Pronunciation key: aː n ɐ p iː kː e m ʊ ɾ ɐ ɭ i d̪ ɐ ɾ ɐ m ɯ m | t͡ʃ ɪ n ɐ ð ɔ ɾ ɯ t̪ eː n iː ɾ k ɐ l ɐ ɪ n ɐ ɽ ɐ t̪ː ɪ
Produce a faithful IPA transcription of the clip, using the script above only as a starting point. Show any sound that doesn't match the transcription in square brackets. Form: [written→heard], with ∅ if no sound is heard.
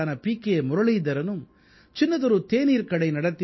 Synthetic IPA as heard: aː n ɐ p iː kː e m ʊ ɾ ɐ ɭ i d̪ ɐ ɾ ɐ [m→n] ɯ m | t͡ʃ ɪ [n→nː] ɐ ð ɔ ɾ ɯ t̪ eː n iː ɾ k ɐ [l→ɽ] ɐ ɪ n ɐ ɽ ɐ t̪ː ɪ